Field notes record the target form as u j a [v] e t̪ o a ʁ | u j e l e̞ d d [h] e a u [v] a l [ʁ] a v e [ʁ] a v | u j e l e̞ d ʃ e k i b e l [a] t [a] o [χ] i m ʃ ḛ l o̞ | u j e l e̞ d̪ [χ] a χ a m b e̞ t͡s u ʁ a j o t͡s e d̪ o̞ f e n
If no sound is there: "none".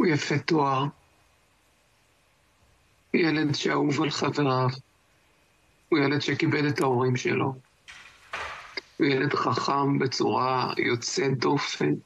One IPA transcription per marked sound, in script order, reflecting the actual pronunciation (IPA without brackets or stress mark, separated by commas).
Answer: f, ʃ, v, χ, ʁ, e, a, ʁ, χ